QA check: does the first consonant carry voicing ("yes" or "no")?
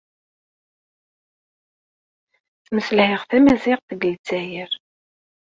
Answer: no